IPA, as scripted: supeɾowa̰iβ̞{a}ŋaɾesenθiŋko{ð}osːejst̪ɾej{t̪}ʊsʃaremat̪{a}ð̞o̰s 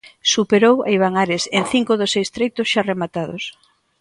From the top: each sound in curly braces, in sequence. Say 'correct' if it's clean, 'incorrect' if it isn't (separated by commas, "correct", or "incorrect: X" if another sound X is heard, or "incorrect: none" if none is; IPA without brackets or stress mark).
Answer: correct, correct, correct, correct